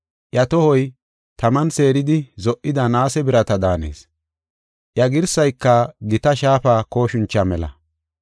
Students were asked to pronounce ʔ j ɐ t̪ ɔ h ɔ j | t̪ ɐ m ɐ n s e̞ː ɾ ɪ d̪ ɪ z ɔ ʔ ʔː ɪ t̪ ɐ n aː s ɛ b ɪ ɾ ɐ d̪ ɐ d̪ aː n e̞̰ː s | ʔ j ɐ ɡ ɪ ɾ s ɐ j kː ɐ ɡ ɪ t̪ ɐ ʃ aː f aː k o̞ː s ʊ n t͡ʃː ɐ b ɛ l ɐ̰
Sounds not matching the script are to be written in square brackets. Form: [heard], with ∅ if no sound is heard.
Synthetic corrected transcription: ʔ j ɐ t̪ ɔ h ɔ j | t̪ ɐ m ɐ n s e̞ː ɾ ɪ d̪ ɪ z ɔ ʔ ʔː ɪ [d̪] ɐ n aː s ɛ b ɪ ɾ ɐ [t̪] ɐ d̪ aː n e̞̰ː s | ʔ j ɐ ɡ ɪ ɾ s ɐ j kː ɐ ɡ ɪ t̪ ɐ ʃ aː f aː k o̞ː [ʃ] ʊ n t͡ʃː ɐ [m] ɛ l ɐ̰